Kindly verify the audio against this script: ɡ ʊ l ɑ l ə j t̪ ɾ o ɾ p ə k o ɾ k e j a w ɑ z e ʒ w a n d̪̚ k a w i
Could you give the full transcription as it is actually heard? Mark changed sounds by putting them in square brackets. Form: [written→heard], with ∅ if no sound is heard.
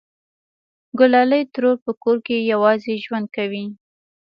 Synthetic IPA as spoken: ɡ ʊ l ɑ l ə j t̪ ɾ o ɾ p ə k o ɾ k e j a w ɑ z e ʒ w a n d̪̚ k a w i